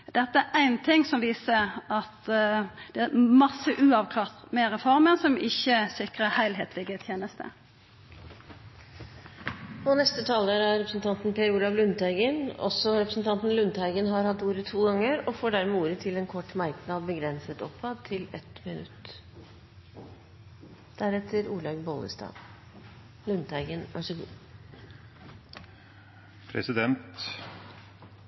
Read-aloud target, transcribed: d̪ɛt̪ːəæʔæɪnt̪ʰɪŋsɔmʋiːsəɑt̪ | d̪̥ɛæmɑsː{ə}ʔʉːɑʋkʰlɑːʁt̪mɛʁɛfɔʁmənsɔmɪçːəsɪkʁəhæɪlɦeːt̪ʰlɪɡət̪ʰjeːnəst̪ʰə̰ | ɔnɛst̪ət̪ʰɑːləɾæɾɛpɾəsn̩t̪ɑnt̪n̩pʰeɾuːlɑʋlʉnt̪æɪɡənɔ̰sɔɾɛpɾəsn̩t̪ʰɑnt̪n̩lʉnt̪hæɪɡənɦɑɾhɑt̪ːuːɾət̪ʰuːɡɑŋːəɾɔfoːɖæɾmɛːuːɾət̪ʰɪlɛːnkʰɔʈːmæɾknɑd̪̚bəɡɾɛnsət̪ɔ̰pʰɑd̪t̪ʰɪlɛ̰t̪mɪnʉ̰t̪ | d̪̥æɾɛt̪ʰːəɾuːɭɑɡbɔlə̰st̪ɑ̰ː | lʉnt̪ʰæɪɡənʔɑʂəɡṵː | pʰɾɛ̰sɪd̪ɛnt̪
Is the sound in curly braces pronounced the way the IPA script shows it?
yes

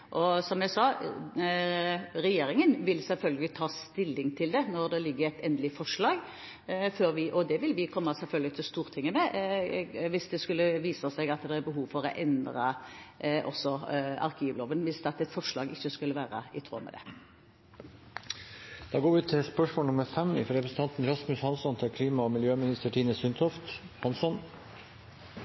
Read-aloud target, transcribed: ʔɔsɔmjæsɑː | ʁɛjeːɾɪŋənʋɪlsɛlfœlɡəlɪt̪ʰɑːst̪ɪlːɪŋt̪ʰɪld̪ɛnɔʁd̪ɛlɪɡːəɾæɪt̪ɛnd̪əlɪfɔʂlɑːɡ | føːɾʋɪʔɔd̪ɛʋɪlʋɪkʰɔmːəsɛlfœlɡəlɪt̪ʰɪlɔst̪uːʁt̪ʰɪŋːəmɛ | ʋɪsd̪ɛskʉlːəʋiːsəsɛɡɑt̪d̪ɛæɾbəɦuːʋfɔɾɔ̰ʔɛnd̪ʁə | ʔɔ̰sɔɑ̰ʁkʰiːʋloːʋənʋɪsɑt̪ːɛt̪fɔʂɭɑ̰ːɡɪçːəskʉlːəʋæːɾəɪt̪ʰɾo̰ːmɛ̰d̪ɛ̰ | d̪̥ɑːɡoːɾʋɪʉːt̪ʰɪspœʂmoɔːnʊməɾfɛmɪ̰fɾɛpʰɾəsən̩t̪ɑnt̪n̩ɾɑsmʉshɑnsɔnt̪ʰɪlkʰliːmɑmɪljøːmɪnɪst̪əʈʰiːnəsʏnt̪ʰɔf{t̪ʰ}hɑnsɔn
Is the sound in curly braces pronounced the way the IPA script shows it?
no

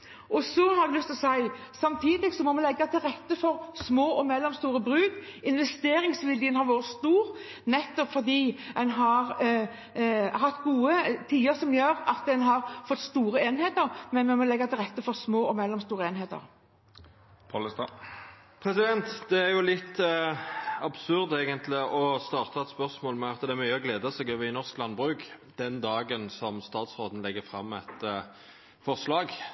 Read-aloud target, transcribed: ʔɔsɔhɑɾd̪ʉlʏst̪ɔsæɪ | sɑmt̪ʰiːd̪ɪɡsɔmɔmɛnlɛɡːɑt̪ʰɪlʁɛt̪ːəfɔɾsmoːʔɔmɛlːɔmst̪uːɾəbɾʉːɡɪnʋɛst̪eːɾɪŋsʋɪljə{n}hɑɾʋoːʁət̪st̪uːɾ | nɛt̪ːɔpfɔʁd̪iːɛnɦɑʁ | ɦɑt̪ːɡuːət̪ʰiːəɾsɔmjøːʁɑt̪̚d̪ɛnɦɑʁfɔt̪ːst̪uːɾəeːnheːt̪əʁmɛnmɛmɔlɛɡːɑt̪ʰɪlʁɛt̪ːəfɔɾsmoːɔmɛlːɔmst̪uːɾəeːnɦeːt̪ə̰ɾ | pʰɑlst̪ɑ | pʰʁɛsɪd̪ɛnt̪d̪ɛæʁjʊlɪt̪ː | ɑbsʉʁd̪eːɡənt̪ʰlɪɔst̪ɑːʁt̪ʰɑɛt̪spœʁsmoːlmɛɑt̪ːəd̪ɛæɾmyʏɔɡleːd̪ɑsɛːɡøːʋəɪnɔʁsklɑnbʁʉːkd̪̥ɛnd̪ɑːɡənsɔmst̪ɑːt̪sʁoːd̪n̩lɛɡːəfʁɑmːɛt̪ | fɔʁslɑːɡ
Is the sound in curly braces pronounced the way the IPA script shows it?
yes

